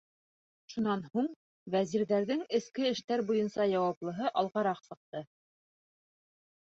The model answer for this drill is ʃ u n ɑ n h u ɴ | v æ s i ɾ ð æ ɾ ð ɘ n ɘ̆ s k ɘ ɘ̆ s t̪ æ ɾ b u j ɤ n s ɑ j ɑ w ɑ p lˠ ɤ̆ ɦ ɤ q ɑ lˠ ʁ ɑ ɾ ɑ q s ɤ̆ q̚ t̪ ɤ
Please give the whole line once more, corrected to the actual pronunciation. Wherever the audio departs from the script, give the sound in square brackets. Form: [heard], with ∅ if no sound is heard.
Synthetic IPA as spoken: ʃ u n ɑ n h u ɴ | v æ [z] i ɾ ð æ ɾ ð ɘ [ŋ] ɘ̆ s k ɘ ɘ̆ [ʃ] t̪ æ ɾ b u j ɤ n s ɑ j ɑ w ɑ p lˠ ɤ̆ ɦ ɤ [ʔ] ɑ lˠ ʁ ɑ ɾ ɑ q s ɤ̆ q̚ t̪ ɤ